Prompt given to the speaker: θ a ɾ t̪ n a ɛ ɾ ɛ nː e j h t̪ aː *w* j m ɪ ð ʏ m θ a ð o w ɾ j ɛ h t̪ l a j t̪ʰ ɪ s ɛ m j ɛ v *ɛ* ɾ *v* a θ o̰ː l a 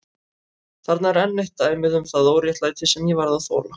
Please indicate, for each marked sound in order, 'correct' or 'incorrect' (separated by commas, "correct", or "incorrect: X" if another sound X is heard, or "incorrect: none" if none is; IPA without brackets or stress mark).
incorrect: none, incorrect: a, incorrect: ð